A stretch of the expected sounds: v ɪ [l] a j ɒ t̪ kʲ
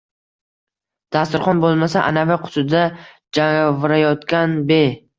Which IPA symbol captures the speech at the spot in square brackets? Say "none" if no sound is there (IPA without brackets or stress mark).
ɾ